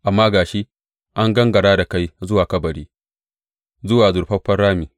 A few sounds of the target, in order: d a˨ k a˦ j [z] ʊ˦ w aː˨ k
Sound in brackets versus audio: correct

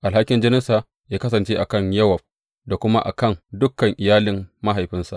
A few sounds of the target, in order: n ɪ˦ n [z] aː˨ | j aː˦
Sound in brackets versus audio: incorrect: s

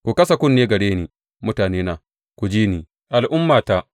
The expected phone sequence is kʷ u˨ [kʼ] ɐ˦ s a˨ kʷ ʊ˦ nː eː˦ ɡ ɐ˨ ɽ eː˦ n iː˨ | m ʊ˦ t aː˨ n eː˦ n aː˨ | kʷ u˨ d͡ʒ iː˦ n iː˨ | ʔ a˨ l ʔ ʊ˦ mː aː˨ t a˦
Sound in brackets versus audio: incorrect: k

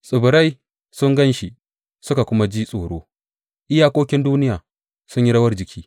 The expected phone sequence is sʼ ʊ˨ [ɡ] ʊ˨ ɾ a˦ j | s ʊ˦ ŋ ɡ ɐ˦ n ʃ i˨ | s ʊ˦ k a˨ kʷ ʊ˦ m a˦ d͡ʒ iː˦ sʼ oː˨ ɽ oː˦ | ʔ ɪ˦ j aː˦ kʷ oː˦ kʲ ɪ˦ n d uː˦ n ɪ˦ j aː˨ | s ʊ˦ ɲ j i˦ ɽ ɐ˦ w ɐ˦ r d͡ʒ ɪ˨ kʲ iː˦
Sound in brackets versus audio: incorrect: b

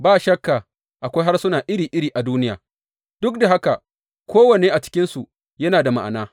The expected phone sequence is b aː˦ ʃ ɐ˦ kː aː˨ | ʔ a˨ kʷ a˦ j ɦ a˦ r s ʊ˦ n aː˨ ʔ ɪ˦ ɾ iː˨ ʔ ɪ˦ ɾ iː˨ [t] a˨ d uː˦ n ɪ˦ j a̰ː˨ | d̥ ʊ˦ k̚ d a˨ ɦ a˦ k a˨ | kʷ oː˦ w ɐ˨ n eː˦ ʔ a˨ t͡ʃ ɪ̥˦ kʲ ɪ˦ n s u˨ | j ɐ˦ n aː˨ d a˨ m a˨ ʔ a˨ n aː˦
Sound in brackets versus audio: incorrect: ʔ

